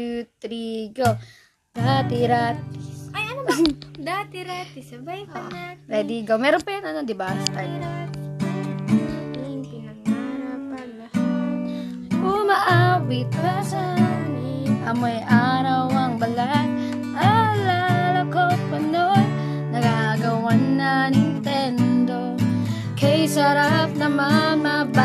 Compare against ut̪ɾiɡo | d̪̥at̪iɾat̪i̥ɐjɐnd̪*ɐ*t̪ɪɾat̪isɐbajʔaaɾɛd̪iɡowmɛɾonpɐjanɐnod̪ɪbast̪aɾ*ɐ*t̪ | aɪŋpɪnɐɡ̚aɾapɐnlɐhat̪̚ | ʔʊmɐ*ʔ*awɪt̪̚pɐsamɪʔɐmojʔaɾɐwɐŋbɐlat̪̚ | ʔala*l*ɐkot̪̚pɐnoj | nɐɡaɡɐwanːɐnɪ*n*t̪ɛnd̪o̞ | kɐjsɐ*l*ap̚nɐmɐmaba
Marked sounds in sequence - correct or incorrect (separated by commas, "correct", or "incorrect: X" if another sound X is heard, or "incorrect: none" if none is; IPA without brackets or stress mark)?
incorrect: a, incorrect: a, correct, correct, correct, incorrect: ɾ